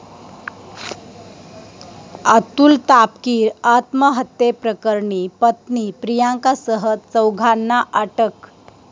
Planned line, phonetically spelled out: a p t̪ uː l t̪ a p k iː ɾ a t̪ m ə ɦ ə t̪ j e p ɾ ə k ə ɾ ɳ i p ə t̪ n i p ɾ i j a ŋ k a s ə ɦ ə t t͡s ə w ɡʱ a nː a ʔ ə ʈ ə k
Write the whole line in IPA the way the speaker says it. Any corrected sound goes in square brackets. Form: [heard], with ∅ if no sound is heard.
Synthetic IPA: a [∅] t̪ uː l t̪ a p k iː ɾ a t̪ m ə ɦ ə t̪ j e p ɾ ə k ə ɾ ɳ i p ə t̪ n i p ɾ i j a ŋ k a s ə ɦ ə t t͡s ə w ɡʱ a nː a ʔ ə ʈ ə k